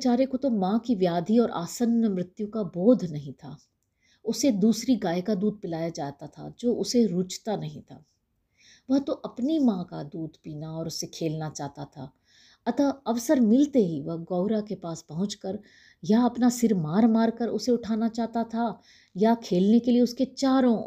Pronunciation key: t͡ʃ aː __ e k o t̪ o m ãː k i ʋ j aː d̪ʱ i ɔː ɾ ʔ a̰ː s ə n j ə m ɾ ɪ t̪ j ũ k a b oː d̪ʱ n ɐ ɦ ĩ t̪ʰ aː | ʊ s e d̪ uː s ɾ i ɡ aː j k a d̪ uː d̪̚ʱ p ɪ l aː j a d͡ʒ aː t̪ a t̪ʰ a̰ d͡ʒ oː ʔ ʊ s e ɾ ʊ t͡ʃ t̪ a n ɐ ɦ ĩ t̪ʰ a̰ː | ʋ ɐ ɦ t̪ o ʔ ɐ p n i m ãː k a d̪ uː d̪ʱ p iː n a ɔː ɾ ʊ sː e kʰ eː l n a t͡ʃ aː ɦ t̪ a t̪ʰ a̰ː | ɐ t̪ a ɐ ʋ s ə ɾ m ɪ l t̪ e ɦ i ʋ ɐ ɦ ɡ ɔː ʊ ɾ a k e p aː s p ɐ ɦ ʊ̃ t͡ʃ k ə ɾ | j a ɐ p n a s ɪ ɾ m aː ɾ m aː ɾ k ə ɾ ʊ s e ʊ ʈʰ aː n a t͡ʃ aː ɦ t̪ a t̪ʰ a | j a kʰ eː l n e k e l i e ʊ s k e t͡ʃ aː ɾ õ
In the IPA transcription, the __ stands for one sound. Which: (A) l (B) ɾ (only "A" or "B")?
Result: B